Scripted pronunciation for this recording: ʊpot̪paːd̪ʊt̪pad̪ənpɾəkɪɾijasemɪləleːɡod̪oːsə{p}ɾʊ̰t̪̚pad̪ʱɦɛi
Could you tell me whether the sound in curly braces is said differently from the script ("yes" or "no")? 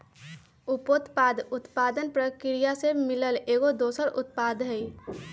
yes